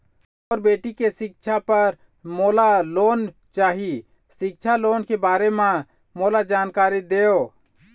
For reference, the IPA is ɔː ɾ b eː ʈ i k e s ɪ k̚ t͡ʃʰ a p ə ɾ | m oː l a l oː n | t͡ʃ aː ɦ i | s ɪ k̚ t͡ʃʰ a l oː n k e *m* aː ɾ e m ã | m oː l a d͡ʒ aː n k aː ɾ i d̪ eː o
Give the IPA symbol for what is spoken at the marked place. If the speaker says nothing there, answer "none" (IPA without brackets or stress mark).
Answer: b